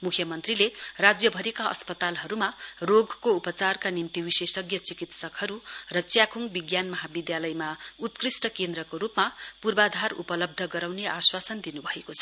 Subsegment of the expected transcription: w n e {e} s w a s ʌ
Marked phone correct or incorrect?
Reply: incorrect: a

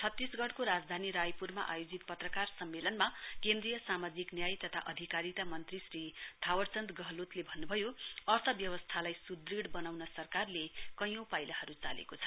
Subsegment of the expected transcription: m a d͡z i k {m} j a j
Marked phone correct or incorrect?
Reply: incorrect: n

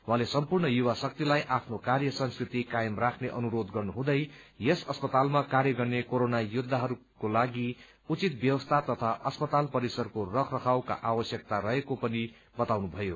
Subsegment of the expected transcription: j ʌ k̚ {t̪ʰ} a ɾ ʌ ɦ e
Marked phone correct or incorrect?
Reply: incorrect: t̪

